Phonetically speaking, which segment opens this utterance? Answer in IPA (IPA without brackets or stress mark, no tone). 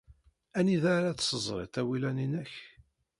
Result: æ